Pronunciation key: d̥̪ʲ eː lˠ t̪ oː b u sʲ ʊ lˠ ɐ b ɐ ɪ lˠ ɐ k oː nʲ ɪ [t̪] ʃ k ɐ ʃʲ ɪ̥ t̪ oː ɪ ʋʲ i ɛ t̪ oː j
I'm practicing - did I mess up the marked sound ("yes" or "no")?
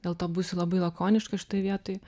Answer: yes